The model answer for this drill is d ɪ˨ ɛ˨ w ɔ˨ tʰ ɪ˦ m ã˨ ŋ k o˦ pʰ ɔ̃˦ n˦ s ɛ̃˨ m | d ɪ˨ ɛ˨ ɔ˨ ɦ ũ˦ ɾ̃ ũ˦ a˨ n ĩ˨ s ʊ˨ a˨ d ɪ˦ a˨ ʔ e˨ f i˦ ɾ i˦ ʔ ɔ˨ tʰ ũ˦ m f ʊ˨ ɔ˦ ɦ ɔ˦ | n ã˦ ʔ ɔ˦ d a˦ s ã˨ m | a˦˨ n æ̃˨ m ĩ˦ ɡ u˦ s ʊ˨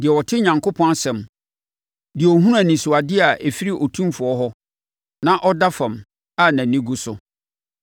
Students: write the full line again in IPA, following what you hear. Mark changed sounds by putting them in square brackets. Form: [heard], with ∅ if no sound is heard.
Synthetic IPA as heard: d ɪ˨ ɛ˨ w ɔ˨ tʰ ɪ˦ [ɲ] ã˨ ŋ k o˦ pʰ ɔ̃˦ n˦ s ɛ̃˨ m | d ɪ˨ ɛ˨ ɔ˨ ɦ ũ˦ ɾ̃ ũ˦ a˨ n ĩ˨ s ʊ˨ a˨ d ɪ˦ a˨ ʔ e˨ f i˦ ɾ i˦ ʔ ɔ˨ tʰ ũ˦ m f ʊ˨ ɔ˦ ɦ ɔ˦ | n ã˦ ʔ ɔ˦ d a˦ [f] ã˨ m | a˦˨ n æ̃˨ [n] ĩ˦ ɡ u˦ s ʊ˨